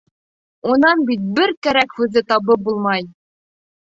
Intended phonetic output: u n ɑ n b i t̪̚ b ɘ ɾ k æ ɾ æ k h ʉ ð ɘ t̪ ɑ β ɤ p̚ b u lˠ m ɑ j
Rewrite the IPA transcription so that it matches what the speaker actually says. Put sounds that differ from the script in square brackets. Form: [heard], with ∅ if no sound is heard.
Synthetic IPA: u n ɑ n b i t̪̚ b ɘ ɾ k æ ɾ æ k h ʉ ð ɘ t̪ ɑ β ɤ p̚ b u lˠ m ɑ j